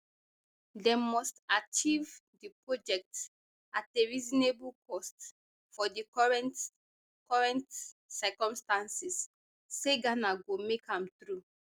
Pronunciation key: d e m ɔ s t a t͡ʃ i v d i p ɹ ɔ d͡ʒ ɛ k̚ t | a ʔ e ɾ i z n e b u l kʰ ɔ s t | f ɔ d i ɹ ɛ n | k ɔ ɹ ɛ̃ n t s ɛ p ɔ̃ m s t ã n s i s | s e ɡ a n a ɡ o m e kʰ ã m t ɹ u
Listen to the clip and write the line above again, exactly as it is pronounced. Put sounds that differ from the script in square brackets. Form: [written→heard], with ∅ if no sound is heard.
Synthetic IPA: d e m ɔ s t a t͡ʃ i v d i p ɹ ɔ d͡ʒ ɛ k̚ t | a [ʔ→t] e [ɾ→ɹ] i z n e b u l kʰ ɔ s t | f ɔ d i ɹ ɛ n | k ɔ ɹ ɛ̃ n t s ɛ [p→k] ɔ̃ m s t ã n s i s | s e ɡ a n a ɡ o m e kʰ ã m t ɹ u